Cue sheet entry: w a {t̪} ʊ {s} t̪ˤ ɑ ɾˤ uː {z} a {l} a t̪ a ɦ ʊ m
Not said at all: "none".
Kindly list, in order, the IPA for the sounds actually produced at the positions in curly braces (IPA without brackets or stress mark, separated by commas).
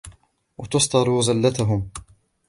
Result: t̪, s, z, lː